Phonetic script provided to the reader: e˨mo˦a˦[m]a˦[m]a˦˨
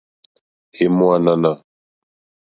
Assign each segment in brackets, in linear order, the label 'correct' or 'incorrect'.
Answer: incorrect, incorrect

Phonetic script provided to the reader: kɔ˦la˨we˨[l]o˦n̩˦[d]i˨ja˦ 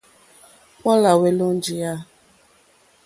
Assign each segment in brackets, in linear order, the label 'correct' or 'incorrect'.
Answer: correct, incorrect

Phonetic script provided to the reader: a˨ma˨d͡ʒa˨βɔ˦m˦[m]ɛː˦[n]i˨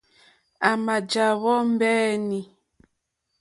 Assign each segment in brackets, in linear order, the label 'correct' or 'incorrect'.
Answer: incorrect, correct

